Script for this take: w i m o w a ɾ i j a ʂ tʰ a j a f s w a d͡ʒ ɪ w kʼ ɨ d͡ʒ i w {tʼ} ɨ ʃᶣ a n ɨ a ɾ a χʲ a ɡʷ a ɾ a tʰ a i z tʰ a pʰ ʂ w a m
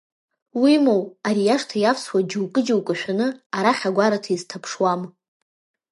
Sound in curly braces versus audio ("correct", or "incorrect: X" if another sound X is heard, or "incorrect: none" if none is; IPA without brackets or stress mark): incorrect: kʼ